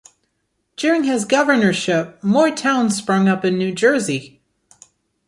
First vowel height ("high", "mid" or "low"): high